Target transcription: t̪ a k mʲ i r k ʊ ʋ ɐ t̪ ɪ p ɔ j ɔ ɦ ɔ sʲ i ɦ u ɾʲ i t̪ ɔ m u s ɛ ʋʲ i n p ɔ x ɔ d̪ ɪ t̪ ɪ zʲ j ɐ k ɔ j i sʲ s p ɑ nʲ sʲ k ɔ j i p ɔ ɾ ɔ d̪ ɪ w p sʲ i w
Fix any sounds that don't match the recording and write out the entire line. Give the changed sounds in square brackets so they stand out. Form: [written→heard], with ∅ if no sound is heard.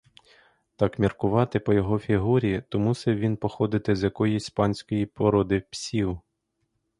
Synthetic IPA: t̪ [a→ɑ] k mʲ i r k ʊ ʋ [ɐ→ɑ] t̪ ɪ p ɔ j ɔ ɦ ɔ [sʲ→fʲ] i ɦ u ɾʲ i t̪ ɔ m u s ɛ ʋʲ i n p ɔ x ɔ d̪ ɪ t̪ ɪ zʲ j ɐ k ɔ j i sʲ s p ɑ nʲ sʲ k ɔ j i p ɔ ɾ ɔ d̪ ɪ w p sʲ i w

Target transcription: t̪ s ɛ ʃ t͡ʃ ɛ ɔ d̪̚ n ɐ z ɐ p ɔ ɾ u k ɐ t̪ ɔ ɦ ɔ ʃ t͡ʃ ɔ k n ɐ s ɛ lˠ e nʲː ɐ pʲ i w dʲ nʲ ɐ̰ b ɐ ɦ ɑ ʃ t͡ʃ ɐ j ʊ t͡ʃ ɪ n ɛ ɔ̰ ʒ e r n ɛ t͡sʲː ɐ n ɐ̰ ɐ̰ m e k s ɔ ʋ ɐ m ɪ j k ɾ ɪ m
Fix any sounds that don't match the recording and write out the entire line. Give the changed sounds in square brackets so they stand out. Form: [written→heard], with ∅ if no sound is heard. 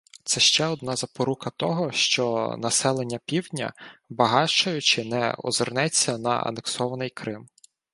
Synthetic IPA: t̪ s ɛ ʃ t͡ʃ ɛ ɔ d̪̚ n [ɐ→ɑ] z ɐ p ɔ ɾ u k ɐ t̪ ɔ ɦ ɔ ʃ t͡ʃ ɔ [k→∅] n ɐ s ɛ lˠ e nʲː ɐ pʲ i w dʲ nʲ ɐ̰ b ɐ ɦ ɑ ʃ t͡ʃ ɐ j ʊ t͡ʃ ɪ n ɛ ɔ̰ [ʒ→z] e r n ɛ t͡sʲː ɐ n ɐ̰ ɐ̰ [m→n] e k s ɔ ʋ ɐ [m→n] ɪ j k ɾ ɪ m

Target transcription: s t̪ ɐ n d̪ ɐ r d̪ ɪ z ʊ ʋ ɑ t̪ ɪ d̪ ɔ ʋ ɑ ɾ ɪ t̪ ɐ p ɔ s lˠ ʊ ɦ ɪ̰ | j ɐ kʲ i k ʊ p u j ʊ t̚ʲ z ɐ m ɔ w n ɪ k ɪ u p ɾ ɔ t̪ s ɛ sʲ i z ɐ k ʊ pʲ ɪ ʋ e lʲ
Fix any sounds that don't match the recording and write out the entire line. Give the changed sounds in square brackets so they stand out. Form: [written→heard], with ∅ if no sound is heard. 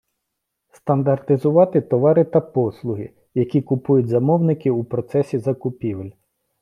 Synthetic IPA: s t̪ ɐ n d̪ ɐ r [d̪→t̪] ɪ z ʊ ʋ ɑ t̪ ɪ [d̪→t̪] ɔ ʋ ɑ ɾ ɪ t̪ ɐ p ɔ s lˠ ʊ ɦ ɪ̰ | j ɐ kʲ i k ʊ p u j ʊ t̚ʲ z ɐ m ɔ w n ɪ k ɪ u p ɾ ɔ t̪ s ɛ sʲ i z ɐ k ʊ pʲ [ɪ→i] ʋ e lʲ

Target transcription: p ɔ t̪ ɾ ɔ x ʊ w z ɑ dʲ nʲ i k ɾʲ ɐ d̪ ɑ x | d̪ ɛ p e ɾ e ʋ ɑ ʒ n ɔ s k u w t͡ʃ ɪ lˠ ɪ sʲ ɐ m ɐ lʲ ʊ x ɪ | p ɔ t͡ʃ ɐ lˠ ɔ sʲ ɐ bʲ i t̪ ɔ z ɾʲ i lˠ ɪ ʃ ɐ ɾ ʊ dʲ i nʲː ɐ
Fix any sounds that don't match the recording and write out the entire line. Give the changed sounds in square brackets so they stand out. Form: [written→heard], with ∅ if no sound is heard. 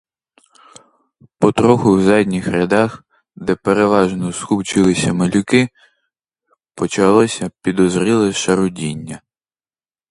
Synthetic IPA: p ɔ t̪ ɾ ɔ x ʊ w z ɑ dʲ nʲ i [k→x] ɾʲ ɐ d̪ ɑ x | d̪ ɛ p e ɾ e ʋ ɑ ʒ n ɔ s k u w t͡ʃ ɪ lˠ ɪ sʲ ɐ m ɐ lʲ ʊ [x→k] ɪ | p ɔ t͡ʃ ɐ lˠ ɔ sʲ ɐ [bʲ→pʲ] i [t̪→d̪] ɔ z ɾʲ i lˠ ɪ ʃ ɐ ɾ ʊ dʲ i nʲː ɐ

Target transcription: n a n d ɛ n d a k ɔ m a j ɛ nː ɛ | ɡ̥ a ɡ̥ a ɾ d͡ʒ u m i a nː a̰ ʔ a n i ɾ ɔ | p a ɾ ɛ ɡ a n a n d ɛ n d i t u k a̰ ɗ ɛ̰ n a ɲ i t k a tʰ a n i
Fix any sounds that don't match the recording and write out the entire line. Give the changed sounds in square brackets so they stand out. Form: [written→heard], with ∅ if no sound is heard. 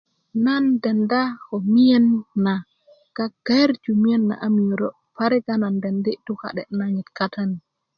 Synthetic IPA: n a n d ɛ n d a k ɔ m [a→i] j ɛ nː [ɛ→a] | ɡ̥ a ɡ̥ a ɾ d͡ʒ u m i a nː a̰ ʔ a [n→m] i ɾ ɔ | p a ɾ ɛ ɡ a n a n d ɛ n d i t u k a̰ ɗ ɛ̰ n a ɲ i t k a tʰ a n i

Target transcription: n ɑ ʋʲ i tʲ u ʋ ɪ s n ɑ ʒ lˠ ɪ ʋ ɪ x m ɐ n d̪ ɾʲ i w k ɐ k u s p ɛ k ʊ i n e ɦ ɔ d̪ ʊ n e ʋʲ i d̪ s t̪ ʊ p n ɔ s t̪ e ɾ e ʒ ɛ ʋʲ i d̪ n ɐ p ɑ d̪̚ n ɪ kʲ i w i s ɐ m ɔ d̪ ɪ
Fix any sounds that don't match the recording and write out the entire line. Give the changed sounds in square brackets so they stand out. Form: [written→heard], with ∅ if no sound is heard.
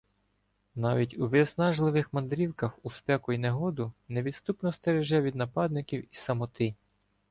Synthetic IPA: n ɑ ʋʲ i tʲ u ʋ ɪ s n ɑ ʒ lˠ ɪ ʋ ɪ x m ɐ n d̪ ɾʲ i w k ɐ [k→x] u s p ɛ k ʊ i n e ɦ ɔ d̪ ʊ n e ʋʲ i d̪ s t̪ [ʊ→u] p n ɔ s t̪ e ɾ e ʒ ɛ ʋʲ i d̪ n ɐ p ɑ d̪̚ n ɪ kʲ i w i s ɐ m ɔ [d̪→t̪] ɪ

